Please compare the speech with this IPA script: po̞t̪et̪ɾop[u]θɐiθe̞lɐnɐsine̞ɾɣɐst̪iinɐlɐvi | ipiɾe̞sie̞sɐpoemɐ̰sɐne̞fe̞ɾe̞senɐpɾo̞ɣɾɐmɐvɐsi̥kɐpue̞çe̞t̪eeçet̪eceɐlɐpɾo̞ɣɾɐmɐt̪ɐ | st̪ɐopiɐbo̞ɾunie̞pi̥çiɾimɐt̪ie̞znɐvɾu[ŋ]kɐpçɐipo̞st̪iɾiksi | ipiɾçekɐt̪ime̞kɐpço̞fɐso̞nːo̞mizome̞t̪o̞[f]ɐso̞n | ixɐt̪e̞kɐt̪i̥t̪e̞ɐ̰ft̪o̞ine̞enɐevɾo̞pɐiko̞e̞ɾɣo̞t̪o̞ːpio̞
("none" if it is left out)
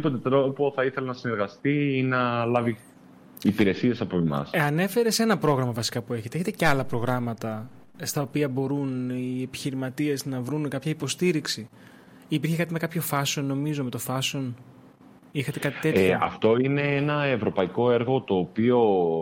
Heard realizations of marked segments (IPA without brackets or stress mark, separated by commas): o, n, f